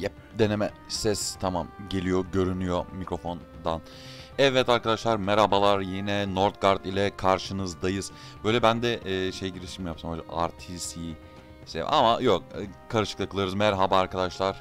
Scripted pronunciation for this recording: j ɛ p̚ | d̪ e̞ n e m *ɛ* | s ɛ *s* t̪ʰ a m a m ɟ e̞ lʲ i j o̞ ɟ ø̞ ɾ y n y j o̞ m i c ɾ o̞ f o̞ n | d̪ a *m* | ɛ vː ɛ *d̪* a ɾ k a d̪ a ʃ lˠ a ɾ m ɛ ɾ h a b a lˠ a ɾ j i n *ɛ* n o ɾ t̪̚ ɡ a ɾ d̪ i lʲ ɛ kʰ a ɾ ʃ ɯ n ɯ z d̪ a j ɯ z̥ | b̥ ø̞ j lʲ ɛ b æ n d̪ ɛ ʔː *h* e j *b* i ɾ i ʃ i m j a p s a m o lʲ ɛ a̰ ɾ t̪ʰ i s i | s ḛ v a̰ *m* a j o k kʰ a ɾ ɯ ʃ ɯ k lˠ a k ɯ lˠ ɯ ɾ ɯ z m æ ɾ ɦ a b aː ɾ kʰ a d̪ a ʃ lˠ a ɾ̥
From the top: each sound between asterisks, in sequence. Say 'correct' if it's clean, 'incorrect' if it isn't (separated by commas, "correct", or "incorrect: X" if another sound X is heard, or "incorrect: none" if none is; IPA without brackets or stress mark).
correct, correct, incorrect: n, incorrect: t̪, correct, incorrect: ʃ, incorrect: ɟ, correct